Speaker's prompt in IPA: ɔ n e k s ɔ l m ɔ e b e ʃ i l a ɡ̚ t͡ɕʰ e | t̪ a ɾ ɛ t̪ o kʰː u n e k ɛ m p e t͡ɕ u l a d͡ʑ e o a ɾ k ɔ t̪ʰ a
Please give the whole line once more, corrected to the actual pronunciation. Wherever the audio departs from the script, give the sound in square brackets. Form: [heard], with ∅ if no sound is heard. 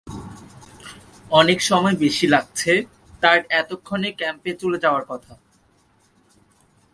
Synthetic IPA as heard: ɔ n e k [ʃ] ɔ [∅] m ɔ e b e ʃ i l a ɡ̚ t͡ɕʰ e | t̪ a ɾ ɛ t̪ o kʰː [o] n e k ɛ m p e t͡ɕ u l [e] d͡ʑ [a] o a ɾ k ɔ t̪ʰ a